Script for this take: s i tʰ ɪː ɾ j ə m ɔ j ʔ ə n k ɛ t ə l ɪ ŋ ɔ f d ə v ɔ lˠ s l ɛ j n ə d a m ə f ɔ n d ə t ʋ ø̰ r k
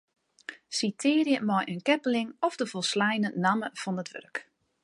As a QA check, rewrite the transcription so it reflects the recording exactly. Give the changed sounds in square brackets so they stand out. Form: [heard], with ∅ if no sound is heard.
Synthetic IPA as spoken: s i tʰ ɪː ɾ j ə m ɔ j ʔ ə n k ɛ [p] ə l ɪ ŋ ɔ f d ə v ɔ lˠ s l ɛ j n ə [n] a m ə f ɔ n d ə t ʋ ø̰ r k